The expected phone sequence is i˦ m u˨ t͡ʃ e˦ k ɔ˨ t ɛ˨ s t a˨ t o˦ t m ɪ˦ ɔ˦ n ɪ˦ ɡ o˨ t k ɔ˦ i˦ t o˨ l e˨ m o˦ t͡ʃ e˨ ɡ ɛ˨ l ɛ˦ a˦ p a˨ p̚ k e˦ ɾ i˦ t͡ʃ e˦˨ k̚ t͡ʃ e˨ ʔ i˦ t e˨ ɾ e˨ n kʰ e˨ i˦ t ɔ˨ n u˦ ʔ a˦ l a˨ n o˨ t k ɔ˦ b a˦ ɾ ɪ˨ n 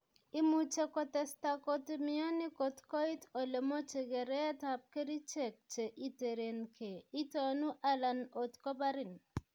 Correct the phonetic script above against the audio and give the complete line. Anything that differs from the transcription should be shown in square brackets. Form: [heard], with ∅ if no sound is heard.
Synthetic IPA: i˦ m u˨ t͡ʃ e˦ k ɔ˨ t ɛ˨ s t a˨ [k] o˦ t m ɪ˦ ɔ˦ n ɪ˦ [k] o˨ t k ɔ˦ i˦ t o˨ l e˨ m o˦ t͡ʃ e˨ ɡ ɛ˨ [ɾ] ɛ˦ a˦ [t] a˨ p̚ k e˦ ɾ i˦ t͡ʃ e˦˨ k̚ t͡ʃ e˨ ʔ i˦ t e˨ ɾ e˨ n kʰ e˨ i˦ t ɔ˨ n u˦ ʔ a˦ l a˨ n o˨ t k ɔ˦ b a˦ ɾ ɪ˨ n